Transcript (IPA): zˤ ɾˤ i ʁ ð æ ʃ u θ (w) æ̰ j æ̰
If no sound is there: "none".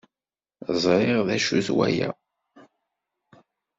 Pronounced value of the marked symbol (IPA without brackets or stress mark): w